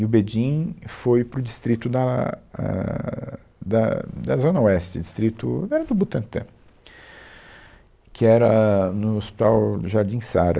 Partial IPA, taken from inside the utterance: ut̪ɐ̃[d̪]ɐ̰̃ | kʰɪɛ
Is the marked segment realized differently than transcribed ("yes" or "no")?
yes